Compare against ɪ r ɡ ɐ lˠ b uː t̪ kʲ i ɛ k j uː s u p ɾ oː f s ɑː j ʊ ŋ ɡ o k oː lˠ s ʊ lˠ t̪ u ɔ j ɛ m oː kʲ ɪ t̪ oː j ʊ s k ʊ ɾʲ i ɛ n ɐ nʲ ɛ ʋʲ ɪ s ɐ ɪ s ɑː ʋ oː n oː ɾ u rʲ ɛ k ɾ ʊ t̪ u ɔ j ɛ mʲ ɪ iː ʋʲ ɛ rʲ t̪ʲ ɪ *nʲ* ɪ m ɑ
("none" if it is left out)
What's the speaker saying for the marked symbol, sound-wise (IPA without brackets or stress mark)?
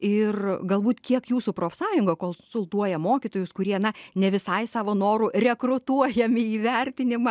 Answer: nʲ